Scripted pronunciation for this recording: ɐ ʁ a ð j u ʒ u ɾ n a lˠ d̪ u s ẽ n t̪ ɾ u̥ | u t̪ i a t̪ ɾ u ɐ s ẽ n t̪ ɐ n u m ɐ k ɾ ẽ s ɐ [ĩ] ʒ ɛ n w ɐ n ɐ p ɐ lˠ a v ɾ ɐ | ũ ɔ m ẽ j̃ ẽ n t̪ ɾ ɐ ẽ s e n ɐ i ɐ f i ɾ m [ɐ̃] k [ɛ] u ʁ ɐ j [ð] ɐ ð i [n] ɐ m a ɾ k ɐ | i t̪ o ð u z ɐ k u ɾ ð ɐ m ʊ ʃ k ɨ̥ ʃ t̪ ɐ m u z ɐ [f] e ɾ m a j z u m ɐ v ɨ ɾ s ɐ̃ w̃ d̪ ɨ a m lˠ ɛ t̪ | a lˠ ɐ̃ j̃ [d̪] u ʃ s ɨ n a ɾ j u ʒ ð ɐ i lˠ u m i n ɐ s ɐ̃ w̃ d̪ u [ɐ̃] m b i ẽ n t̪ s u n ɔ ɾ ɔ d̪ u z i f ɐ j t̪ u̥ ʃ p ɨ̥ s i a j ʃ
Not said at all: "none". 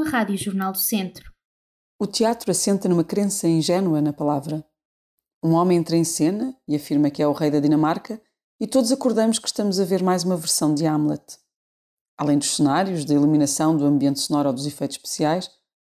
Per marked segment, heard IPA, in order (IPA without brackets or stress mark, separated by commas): ĩ, ɐ, ɛ, ð, n, v, d̪, ɐ̃